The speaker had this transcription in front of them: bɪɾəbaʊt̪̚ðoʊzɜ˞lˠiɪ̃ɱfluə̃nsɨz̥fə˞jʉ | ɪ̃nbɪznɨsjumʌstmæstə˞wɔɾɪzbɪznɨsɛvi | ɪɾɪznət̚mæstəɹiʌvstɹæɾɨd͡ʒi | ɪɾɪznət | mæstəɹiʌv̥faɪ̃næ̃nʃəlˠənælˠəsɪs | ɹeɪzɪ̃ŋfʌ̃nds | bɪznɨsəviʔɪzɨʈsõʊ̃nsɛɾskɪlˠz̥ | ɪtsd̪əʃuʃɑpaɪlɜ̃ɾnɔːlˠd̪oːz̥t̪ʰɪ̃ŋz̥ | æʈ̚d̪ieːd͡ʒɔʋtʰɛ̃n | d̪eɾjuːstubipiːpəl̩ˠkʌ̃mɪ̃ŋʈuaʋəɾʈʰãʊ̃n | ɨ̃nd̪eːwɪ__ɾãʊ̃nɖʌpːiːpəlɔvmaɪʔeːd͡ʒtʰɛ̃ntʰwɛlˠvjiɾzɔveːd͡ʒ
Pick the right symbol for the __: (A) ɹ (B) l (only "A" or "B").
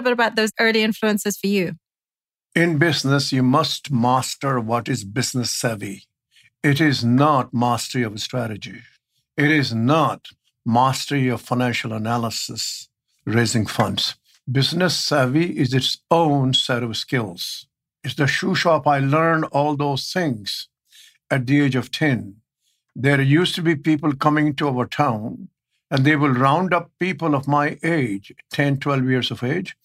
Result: B